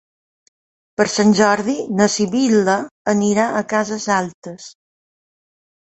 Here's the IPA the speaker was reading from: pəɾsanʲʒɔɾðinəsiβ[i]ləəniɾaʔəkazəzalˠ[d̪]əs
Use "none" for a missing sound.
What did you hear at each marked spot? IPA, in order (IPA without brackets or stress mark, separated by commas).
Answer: i, t̪